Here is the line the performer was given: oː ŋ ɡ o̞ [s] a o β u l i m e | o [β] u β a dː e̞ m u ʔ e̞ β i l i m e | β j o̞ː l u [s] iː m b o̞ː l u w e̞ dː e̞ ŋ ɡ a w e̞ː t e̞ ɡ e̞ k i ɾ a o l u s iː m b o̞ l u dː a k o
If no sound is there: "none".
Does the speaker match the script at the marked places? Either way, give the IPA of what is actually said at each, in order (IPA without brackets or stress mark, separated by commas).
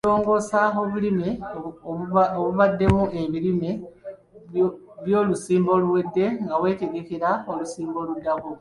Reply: s, β, s